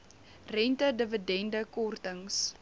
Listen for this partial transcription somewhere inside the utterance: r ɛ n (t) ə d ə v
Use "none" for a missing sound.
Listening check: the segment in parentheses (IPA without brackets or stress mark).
t